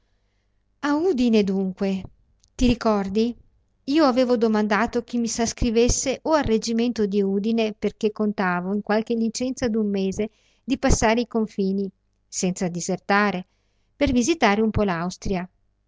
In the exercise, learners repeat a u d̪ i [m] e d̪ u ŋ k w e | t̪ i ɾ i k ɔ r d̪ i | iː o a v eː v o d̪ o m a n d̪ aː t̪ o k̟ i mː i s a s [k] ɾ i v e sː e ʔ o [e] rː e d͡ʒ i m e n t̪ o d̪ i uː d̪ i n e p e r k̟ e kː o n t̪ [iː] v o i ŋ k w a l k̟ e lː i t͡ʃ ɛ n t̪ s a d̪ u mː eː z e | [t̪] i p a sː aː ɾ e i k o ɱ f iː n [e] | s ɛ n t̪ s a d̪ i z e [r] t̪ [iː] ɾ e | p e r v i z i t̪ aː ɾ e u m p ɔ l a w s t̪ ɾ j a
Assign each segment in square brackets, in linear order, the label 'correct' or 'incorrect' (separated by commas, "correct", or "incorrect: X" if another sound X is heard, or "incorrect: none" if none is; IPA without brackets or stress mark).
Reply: incorrect: n, correct, incorrect: a, incorrect: aː, incorrect: d̪, incorrect: i, correct, incorrect: aː